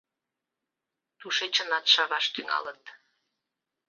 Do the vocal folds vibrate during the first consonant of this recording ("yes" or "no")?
no